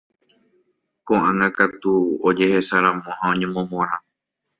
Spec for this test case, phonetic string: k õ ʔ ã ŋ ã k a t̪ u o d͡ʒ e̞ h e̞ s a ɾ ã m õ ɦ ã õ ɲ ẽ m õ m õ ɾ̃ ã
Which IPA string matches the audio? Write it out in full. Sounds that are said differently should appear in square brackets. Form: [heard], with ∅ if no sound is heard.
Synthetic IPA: k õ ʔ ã ŋ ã k a t̪ u o d͡ʒ e̞ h e̞ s a ɾ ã m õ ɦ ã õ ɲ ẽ m õ m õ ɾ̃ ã

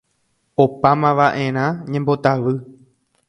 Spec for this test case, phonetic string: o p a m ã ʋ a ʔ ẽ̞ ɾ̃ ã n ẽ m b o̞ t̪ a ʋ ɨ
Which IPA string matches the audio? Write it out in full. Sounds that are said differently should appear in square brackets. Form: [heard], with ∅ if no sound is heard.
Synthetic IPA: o p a m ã ʋ a ʔ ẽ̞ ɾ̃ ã [ɲ] ẽ m b o̞ t̪ a ʋ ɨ

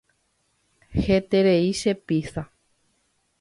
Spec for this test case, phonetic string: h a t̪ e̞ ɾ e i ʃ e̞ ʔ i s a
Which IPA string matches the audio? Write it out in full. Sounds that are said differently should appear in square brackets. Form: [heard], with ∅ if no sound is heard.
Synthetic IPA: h [e] t̪ e̞ ɾ e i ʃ e̞ [p] i s a

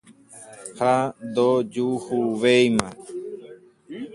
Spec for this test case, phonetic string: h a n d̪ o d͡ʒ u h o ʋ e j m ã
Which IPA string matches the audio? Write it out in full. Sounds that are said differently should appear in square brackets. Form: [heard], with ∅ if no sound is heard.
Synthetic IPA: h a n d̪ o d͡ʒ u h [u] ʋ e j m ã

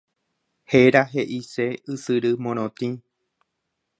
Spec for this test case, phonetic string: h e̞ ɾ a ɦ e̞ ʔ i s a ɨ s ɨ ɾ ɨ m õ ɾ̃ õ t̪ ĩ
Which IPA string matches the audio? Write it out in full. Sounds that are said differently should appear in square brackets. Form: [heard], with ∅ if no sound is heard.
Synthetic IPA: h e̞ ɾ a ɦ e̞ ʔ i s [e] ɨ s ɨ ɾ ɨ m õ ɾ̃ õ t̪ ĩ

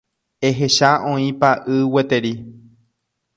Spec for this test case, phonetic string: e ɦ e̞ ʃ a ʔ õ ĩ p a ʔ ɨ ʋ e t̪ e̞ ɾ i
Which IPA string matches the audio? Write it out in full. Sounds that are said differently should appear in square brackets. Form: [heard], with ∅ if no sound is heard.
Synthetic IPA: e ɦ e̞ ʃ a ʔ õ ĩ p a ʔ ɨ [w] e t̪ e̞ ɾ i

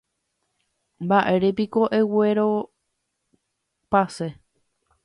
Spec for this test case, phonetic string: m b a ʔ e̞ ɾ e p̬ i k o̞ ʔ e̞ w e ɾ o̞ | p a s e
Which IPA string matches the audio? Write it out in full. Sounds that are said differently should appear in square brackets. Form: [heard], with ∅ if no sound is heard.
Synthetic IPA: m b a ʔ e̞ ɾ e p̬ i k o̞ ʔ e̞ w e ɾ o̞ | p a s e

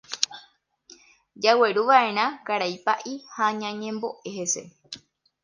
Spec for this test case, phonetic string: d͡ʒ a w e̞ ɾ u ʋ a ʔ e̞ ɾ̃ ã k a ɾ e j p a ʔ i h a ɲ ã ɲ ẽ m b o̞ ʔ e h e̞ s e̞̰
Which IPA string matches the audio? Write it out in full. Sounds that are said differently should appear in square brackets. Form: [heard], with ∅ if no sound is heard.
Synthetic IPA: d͡ʒ a w e̞ ɾ u ʋ a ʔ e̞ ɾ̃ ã k a ɾ [a] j p a ʔ i h a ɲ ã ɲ ẽ m b o̞ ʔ e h e̞ s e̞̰

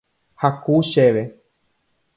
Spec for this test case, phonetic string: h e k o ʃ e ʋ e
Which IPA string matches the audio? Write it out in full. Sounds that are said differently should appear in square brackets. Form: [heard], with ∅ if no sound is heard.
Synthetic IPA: h [a] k [u] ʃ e ʋ e

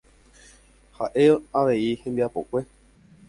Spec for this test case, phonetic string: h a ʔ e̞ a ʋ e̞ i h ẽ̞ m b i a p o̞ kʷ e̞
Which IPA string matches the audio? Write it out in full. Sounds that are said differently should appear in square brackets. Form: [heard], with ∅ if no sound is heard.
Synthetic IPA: h a ʔ e̞ a ʋ e̞ i h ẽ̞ m b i a p o̞ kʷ e̞

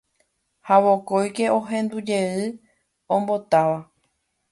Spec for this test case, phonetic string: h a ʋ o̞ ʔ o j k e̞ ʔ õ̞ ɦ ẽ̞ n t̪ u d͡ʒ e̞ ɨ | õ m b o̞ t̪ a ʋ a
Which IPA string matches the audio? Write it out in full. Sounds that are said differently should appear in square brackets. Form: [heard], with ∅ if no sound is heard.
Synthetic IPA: h a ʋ o̞ [k] o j k e̞ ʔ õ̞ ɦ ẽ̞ n [d̪] u d͡ʒ e̞ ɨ | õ m b o̞ t̪ a ʋ a

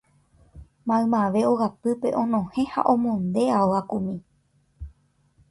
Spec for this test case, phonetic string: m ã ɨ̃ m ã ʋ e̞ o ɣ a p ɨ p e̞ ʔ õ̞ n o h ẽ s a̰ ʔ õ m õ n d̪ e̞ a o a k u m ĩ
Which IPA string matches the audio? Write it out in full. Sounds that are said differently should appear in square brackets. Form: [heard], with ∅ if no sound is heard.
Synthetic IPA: m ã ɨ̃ m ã ʋ e̞ o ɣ a p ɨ p e̞ ʔ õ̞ n [õ] h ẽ [h] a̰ ʔ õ m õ n d̪ e̞ a o a k u m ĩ

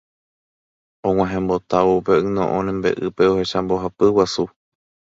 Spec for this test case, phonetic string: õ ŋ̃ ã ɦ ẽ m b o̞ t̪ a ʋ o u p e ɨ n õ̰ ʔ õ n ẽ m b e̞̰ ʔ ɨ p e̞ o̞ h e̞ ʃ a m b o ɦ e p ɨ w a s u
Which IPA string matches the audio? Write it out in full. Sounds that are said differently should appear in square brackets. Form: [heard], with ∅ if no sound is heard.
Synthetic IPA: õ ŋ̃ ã ɦ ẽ m b o̞ t̪ a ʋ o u p e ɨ n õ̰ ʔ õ n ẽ m b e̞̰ ʔ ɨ p e̞ o̞ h e̞ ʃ a m b o ɦ [a] p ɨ w a s u

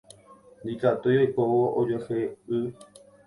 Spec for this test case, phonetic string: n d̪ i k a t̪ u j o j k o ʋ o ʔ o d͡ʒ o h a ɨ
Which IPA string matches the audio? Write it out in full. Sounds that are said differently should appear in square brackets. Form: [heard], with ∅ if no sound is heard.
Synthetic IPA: n d̪ i k a t̪ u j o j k o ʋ o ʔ o d͡ʒ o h [e] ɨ

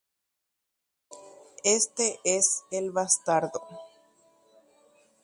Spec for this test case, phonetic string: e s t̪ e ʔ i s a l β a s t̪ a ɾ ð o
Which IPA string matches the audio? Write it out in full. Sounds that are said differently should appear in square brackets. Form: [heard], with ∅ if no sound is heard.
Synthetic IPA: e s t̪ e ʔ [e] s [e] l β a s t̪ a ɾ ð o

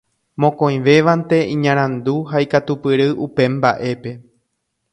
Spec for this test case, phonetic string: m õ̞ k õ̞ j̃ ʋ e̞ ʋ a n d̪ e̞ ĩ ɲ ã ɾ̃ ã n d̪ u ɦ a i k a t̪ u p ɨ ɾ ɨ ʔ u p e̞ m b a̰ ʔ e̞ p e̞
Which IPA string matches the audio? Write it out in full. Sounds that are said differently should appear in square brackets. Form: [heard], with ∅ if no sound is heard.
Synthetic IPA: m õ̞ k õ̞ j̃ ʋ e̞ ʋ a n [t̪] e̞ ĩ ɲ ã ɾ̃ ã n d̪ u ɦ a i k a t̪ u p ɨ ɾ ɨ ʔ u p e̞ m b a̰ ʔ e̞ p e̞

